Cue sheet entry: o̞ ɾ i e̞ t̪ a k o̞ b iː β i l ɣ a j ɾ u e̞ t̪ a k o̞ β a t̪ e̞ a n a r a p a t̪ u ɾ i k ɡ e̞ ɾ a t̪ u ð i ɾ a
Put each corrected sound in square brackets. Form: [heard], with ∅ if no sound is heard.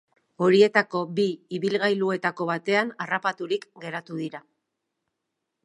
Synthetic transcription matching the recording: o̞ ɾ i e̞ t̪ a k o̞ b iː β i l ɣ a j [l] u e̞ t̪ a k o̞ β a t̪ e̞ a n a r a p a t̪ u ɾ i k ɡ e̞ ɾ a t̪ u ð i ɾ a